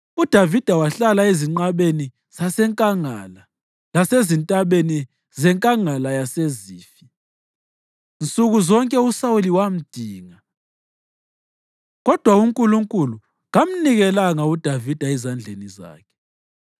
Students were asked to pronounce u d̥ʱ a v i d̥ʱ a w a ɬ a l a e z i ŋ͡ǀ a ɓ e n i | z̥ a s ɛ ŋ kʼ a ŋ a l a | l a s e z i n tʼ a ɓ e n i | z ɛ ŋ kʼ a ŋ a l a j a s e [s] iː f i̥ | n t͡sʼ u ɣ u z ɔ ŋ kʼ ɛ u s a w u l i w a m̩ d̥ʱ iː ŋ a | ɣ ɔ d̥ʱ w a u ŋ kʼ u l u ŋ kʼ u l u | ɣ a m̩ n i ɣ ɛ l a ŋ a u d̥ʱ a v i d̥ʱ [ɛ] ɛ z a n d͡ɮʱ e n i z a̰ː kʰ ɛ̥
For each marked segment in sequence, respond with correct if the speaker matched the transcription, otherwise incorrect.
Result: incorrect, incorrect

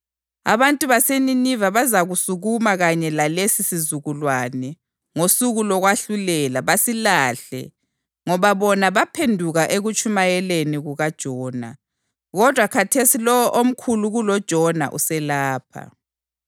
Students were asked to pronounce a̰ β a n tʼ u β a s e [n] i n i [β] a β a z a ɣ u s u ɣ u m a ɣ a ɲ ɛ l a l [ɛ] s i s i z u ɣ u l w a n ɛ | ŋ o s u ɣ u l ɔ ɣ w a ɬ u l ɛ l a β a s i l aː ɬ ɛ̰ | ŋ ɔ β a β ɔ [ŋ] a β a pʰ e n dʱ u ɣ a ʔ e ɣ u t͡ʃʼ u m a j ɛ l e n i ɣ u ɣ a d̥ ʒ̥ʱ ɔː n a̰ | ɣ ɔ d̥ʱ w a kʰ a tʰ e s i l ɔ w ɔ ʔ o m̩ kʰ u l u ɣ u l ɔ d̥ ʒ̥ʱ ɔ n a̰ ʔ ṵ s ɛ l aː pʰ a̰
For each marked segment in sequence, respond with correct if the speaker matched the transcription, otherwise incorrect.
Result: correct, incorrect, incorrect, incorrect

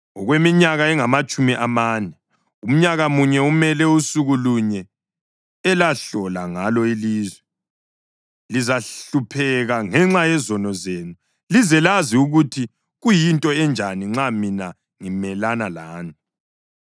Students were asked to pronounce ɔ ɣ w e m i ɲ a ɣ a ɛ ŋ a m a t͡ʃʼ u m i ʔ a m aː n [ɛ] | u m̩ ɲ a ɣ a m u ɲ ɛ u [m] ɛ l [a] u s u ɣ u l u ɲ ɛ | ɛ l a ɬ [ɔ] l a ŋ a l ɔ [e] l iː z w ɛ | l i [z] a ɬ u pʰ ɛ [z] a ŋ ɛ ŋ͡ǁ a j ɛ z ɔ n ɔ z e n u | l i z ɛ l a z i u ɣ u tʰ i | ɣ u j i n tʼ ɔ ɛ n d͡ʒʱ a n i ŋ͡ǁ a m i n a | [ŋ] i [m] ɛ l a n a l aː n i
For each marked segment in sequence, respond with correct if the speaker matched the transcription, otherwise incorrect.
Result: correct, correct, incorrect, correct, incorrect, correct, incorrect, correct, correct

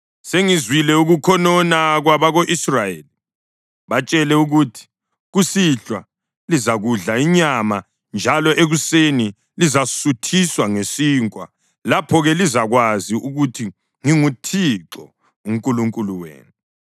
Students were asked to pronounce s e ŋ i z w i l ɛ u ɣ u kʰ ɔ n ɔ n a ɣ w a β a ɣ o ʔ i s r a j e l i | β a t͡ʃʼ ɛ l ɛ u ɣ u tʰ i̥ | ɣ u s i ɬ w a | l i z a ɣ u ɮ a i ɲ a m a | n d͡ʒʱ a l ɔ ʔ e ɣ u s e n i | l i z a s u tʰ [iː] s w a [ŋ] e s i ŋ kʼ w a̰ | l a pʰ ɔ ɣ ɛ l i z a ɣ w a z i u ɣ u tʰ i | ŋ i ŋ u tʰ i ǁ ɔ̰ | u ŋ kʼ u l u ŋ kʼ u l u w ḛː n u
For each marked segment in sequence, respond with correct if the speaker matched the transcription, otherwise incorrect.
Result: incorrect, correct

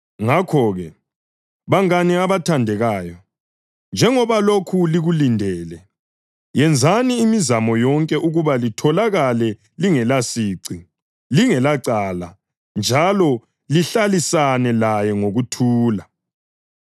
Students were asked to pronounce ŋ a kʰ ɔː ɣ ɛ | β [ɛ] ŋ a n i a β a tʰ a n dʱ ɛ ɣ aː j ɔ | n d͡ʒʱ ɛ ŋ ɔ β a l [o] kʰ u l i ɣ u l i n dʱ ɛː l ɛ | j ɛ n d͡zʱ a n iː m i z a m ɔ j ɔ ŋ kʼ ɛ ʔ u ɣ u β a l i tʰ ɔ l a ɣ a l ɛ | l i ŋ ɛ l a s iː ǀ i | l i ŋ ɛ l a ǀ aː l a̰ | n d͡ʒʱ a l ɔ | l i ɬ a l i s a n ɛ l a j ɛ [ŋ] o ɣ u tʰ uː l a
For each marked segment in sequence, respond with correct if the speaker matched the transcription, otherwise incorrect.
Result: incorrect, correct, correct

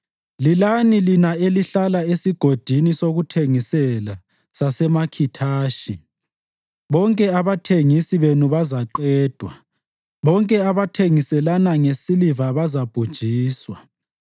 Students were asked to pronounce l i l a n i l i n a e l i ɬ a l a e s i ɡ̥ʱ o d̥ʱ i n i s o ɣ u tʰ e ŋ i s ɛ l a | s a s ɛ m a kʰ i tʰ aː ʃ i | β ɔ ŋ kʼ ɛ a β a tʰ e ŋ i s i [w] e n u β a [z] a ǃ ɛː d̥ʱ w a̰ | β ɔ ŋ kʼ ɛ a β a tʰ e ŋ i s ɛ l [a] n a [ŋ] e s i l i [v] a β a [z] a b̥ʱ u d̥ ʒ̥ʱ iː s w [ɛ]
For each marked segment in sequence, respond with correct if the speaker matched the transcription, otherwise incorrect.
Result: incorrect, correct, correct, correct, correct, correct, incorrect

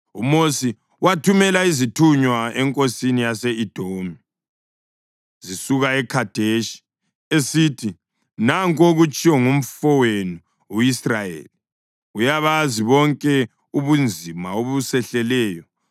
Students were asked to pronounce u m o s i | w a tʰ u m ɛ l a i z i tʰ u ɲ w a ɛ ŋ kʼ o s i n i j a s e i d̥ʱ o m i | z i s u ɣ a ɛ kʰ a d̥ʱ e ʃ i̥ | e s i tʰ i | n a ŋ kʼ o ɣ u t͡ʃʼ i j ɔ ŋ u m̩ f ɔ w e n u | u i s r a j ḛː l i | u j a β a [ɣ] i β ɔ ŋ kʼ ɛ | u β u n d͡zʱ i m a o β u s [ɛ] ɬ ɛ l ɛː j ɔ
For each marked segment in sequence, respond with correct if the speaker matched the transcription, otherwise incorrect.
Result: incorrect, correct

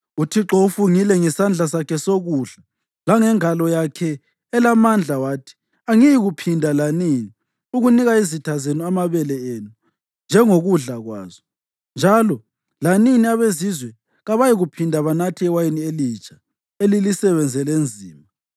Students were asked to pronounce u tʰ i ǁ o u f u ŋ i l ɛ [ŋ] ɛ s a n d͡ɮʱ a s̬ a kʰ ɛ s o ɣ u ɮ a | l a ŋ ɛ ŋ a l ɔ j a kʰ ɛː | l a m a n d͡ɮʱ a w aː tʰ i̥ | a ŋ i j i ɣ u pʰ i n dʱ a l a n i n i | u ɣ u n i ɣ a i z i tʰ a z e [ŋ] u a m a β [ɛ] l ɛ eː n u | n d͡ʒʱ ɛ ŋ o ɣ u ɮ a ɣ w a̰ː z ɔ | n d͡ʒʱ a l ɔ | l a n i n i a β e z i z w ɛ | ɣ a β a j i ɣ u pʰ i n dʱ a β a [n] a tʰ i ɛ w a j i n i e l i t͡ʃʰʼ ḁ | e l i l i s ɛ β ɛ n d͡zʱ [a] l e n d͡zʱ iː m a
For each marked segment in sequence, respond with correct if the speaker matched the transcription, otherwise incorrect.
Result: correct, incorrect, correct, correct, incorrect

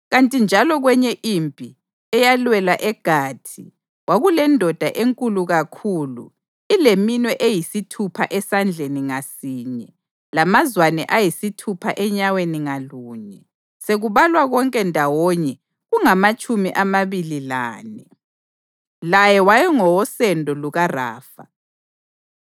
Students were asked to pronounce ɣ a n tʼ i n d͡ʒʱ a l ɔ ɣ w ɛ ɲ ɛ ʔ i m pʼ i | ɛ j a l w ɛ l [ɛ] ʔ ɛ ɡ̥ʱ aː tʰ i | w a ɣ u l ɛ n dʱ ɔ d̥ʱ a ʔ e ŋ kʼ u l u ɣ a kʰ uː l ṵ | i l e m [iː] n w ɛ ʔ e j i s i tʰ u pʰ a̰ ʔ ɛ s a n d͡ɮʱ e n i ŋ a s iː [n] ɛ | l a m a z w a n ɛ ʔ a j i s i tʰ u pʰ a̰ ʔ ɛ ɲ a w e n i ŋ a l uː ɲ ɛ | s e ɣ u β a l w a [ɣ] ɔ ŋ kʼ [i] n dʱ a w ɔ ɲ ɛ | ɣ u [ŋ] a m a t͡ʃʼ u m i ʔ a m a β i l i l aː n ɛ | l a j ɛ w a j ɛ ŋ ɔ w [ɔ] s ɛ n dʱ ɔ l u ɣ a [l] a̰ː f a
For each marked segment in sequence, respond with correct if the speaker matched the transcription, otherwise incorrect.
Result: incorrect, incorrect, incorrect, correct, incorrect, correct, correct, incorrect

